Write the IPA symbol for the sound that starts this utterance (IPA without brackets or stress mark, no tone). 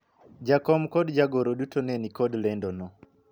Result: d͡ʒ